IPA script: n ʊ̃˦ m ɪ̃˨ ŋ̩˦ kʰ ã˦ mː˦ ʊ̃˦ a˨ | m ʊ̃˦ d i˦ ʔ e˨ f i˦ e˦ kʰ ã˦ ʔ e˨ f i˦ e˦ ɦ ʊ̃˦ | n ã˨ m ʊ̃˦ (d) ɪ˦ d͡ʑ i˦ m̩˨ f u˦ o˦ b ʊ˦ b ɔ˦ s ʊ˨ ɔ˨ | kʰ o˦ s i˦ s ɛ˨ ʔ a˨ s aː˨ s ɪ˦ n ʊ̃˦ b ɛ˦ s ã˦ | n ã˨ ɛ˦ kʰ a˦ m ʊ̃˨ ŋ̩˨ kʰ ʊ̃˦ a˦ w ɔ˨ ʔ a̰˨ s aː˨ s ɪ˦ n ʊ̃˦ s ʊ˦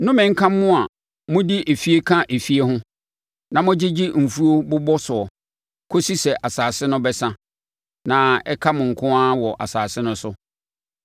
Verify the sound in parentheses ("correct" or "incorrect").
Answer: incorrect